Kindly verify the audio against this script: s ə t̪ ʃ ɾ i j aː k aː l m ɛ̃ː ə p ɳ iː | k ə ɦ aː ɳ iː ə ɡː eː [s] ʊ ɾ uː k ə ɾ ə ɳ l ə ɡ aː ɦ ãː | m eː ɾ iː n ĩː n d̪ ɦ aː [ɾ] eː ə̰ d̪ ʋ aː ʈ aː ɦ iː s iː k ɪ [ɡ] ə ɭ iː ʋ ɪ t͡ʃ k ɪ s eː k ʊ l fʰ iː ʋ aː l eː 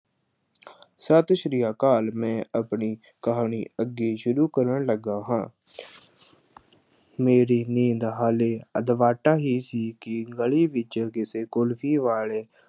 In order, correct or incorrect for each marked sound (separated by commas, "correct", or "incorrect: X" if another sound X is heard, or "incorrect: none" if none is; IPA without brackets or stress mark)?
incorrect: ʃ, incorrect: l, correct